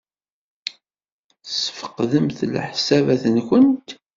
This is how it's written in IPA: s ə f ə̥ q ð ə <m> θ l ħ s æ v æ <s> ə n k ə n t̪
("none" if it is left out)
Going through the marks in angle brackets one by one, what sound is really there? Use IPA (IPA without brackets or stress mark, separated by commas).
m, θ